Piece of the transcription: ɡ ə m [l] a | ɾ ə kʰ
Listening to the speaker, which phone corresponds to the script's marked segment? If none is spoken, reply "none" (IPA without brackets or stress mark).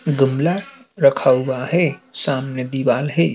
l